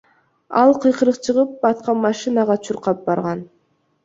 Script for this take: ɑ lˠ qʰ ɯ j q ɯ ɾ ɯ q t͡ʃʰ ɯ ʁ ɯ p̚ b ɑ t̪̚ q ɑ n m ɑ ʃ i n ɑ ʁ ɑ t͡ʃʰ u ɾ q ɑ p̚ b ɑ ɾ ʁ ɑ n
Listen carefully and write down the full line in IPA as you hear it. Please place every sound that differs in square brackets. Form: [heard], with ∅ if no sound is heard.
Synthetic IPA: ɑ lˠ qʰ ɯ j q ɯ ɾ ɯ q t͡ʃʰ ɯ ʁ ɯ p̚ b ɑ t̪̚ q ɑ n m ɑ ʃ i n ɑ ʁ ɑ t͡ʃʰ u ɾ q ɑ p̚ b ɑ ɾ ʁ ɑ n